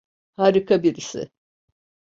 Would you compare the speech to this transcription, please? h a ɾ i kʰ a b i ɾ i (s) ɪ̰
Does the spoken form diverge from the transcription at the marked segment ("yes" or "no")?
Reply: no